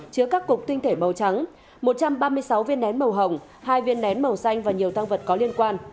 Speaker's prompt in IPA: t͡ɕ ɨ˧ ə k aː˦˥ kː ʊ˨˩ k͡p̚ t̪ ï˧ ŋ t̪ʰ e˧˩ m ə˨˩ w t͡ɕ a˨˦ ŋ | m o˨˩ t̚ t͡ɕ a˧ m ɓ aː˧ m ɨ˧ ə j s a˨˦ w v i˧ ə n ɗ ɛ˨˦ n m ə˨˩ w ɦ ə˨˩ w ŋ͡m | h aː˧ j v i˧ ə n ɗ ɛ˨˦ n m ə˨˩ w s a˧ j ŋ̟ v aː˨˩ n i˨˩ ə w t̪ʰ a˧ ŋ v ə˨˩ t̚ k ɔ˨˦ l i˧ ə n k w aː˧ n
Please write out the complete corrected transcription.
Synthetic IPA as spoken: t͡ɕ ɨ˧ ə k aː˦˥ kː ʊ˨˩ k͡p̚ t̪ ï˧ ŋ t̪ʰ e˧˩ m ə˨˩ w t͡ɕ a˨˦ ŋ | m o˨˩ t̚ t͡ɕ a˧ m ɓ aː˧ m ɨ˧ ə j s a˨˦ w v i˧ ə n ɗ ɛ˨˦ n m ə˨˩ w ɦ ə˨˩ w ŋ͡m | h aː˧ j v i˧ ə n ɗ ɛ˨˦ n m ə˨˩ w s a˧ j ŋ̟ v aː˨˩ ɲ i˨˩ ə w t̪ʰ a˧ ŋ v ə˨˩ t̚ k ɔ˨˦ l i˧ ə n k w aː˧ n

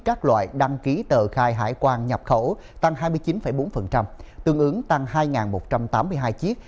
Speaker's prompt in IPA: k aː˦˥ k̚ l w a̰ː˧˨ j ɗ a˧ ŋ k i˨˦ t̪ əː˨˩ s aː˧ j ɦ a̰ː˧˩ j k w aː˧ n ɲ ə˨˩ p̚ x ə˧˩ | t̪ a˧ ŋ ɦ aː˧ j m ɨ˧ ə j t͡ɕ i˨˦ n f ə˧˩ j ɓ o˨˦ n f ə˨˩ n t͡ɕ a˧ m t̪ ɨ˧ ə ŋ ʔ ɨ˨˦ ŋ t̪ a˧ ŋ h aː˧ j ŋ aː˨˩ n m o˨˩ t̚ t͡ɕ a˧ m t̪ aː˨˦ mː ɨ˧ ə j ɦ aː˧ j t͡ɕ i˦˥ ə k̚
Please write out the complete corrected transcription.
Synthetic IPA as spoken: k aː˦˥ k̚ l w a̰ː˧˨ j ɗ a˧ ŋ k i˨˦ t̪ əː˨˩ x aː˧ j ɦ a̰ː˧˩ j k w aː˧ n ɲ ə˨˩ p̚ x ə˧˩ | t̪ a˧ ŋ ɦ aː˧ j m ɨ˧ ə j t͡ɕ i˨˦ n f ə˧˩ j ɓ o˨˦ n f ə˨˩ n t͡ɕ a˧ m t̪ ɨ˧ ə ŋ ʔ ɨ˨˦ ŋ t̪ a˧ ŋ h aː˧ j ŋ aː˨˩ n m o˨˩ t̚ t͡ɕ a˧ m t̪ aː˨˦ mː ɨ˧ ə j ɦ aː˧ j t͡ɕ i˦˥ ə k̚

